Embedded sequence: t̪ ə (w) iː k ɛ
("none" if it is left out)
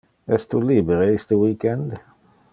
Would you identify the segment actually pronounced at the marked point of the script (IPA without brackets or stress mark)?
w